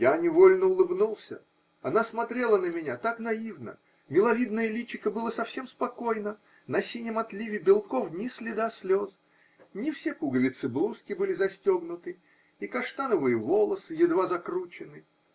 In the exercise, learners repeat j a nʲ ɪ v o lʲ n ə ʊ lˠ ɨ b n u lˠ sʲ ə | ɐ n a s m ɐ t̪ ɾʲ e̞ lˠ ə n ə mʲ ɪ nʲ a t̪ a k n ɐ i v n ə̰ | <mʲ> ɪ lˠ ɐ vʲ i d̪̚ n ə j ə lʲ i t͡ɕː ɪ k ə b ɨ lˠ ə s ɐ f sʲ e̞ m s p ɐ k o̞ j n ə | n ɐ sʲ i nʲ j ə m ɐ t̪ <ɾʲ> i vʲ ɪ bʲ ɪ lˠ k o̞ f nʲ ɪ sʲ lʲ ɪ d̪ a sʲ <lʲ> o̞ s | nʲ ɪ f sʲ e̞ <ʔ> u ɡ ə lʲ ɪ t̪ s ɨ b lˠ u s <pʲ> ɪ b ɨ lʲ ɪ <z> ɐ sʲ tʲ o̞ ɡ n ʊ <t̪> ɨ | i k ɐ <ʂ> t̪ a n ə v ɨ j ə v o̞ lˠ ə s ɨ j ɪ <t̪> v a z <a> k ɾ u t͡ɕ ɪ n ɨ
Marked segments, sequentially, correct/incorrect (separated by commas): correct, incorrect, correct, incorrect, incorrect, correct, correct, correct, incorrect, incorrect